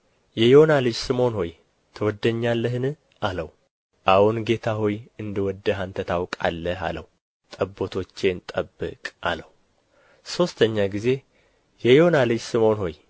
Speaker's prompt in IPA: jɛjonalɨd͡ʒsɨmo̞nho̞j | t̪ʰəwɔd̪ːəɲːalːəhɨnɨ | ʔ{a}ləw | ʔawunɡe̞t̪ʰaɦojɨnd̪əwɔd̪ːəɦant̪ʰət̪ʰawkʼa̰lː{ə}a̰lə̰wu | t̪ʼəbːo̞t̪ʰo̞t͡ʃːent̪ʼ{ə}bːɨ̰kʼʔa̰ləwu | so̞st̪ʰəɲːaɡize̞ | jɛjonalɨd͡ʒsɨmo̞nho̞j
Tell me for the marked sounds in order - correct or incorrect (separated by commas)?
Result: correct, correct, correct